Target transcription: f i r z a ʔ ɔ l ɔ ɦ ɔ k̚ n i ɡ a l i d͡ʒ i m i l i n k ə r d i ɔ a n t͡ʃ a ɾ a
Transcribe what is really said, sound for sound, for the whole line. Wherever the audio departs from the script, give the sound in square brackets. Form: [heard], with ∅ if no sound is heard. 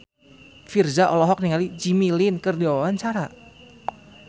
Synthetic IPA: f i r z a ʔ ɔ l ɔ ɦ ɔ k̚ n i [ŋ] a l i d͡ʒ i m i l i n k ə r d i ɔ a n t͡ʃ a ɾ a